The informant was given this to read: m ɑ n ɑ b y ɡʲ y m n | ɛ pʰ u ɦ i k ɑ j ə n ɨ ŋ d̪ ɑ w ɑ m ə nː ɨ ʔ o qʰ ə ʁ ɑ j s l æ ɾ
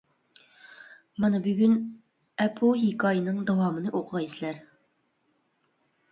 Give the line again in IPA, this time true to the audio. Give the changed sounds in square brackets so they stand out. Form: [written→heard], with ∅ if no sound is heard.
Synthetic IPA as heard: m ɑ n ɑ b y ɡʲ y [m→∅] n | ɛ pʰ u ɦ i k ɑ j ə n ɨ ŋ d̪ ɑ w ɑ m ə [nː→n] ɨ ʔ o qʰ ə ʁ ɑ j s l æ ɾ